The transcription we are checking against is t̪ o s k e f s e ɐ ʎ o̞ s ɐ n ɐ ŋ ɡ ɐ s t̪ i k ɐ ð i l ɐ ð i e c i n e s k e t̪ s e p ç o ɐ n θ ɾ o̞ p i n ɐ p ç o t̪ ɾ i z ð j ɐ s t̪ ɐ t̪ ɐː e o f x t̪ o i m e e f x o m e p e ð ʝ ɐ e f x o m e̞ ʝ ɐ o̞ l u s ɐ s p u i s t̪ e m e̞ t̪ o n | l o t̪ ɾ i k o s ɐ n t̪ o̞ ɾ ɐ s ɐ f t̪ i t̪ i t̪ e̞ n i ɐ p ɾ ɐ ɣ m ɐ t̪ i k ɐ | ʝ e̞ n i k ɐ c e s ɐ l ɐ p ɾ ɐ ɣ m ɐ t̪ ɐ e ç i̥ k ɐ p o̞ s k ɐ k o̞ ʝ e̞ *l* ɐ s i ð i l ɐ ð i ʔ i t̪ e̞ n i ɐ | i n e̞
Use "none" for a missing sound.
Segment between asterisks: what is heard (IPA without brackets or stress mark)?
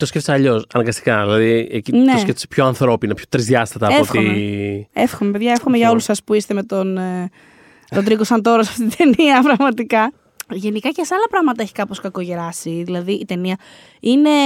ɾ